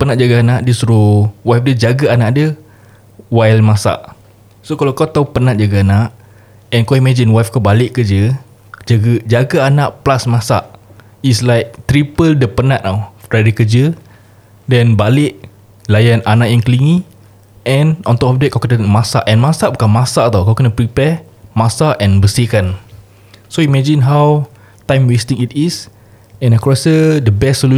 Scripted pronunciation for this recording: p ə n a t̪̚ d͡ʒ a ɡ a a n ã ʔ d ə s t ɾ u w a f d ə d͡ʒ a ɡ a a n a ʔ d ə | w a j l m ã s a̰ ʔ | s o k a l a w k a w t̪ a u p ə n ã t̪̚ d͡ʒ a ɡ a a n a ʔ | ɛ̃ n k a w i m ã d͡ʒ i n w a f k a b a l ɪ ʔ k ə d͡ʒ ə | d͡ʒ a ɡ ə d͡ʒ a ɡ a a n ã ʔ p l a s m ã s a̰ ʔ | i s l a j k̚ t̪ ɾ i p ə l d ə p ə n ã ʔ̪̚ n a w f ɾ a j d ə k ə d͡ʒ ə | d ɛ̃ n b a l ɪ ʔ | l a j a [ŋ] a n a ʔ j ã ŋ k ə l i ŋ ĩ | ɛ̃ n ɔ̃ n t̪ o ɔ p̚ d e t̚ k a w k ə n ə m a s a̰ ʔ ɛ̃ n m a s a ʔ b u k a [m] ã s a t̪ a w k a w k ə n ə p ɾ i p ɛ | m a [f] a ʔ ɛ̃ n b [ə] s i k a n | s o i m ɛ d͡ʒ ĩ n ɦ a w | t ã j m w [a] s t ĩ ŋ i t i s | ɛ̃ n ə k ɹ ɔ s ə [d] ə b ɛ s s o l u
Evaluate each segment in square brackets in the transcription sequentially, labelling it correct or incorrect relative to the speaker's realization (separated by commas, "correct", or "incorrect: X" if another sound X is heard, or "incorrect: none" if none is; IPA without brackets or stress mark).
incorrect: n, correct, incorrect: s, correct, incorrect: e, correct